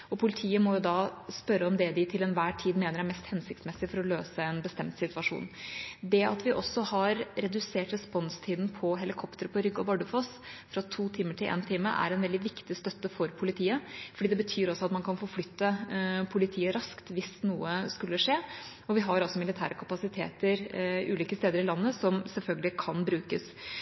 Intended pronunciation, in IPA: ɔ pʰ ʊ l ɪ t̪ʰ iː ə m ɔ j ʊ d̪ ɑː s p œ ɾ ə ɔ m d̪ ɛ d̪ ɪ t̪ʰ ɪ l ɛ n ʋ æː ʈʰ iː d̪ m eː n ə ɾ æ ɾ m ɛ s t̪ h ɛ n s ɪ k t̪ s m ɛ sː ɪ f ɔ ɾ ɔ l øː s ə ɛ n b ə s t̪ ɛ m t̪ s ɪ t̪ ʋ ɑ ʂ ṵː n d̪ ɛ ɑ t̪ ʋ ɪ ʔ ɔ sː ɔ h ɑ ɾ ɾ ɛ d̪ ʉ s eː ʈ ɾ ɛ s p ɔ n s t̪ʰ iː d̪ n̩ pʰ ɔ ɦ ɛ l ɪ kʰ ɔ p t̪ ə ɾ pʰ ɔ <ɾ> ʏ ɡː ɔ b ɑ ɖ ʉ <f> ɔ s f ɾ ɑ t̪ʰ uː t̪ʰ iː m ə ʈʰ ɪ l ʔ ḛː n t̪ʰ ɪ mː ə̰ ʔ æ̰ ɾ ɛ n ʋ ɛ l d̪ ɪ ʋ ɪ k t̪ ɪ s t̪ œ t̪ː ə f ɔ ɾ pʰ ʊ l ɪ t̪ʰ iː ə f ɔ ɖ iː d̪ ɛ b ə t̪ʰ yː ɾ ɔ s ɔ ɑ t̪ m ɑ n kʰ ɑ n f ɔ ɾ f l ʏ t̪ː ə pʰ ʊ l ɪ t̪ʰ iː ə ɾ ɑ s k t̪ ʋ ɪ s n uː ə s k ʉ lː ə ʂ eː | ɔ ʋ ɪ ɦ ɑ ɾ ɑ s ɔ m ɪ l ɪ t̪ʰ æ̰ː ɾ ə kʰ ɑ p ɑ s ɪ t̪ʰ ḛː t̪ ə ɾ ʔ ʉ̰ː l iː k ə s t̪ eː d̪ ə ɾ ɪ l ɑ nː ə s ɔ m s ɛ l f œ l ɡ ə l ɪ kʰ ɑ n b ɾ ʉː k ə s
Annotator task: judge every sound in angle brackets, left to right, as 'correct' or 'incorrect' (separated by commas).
correct, correct